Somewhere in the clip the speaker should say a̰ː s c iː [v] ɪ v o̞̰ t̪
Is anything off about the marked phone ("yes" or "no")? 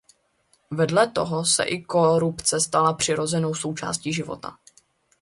yes